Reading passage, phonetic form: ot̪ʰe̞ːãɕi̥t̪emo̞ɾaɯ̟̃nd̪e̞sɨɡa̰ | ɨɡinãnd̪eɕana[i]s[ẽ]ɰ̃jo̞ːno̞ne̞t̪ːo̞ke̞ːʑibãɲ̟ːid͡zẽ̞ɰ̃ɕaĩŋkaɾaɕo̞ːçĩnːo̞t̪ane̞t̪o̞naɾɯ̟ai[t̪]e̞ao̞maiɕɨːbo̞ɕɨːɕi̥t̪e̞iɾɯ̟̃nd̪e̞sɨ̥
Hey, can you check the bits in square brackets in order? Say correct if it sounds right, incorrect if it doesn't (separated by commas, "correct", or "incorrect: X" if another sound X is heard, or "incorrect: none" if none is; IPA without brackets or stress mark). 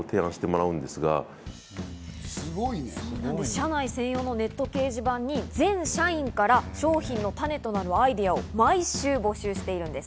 correct, correct, incorrect: d̪